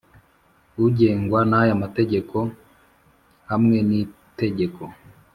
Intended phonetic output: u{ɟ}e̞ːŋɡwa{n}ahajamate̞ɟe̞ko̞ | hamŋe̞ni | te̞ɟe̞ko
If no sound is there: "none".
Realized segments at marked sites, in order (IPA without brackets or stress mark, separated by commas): ɟ, n